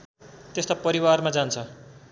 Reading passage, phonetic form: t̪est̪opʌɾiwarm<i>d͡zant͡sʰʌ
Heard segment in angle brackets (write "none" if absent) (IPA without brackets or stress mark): a